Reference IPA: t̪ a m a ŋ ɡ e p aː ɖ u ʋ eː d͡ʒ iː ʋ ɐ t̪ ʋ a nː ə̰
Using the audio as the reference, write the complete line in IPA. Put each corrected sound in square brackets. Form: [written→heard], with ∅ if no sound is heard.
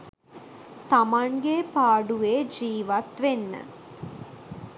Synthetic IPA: t̪ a m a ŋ ɡ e p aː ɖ u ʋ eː d͡ʒ iː ʋ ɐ t̪ ʋ [a→e] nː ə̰